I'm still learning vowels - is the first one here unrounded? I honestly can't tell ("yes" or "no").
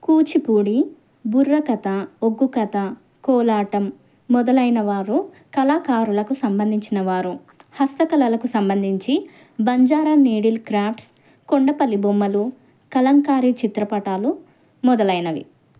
no